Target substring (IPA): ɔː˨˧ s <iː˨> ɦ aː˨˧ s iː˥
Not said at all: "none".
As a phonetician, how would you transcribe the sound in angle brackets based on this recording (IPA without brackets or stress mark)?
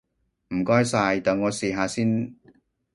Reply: iː˨